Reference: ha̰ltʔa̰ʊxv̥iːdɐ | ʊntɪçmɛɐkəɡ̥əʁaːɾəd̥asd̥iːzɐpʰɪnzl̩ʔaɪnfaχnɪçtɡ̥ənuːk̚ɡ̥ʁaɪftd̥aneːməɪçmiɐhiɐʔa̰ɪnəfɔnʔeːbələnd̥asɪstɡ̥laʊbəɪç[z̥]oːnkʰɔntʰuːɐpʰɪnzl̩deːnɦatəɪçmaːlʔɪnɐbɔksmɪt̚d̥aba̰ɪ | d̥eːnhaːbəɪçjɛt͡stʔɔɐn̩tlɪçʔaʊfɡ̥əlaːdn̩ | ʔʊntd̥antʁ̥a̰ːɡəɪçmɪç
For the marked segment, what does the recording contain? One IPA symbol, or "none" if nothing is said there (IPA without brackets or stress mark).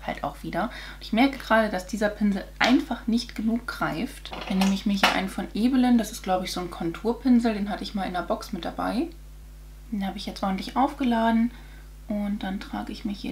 z̥